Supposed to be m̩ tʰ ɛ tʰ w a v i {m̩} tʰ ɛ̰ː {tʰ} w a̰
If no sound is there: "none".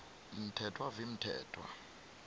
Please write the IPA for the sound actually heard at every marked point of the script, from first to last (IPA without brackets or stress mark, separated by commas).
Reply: m̩, tʰ